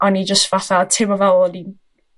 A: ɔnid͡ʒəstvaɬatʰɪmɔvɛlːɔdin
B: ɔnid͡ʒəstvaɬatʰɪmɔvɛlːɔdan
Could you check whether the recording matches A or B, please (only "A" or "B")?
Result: A